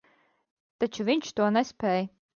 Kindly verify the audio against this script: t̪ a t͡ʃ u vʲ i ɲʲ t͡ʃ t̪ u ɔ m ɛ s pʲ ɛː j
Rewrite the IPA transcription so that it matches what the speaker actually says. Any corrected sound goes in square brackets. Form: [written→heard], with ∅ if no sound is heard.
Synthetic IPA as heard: t̪ a t͡ʃ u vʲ i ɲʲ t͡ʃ t̪ u ɔ [m→n] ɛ s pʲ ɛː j